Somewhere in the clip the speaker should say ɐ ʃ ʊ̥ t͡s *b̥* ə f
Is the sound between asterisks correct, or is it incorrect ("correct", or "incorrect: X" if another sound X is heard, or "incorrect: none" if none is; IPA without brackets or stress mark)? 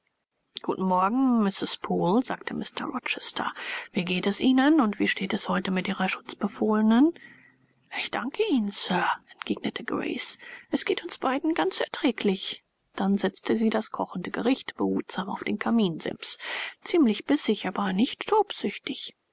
correct